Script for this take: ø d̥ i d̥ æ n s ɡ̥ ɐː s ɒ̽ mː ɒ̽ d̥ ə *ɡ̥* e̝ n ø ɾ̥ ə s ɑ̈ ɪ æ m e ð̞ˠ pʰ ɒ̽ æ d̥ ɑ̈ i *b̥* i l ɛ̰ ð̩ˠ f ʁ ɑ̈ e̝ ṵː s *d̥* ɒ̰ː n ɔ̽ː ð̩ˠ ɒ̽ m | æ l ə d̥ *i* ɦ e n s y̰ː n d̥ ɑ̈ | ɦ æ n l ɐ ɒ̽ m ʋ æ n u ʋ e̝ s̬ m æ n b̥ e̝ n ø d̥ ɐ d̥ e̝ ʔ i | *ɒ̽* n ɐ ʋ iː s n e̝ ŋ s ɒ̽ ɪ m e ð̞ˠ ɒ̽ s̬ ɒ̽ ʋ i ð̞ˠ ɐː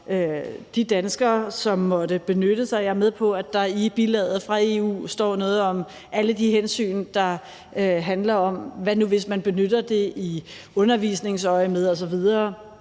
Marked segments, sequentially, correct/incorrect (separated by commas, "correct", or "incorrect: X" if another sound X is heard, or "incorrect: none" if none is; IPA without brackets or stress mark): incorrect: b̥, correct, correct, correct, incorrect: ɔ̽